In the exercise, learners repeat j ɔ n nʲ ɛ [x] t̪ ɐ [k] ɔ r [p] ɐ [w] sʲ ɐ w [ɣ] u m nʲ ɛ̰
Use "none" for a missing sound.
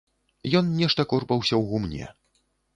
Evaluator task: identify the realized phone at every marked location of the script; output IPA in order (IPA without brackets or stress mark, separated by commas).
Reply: ʂ, k, p, w, ɣ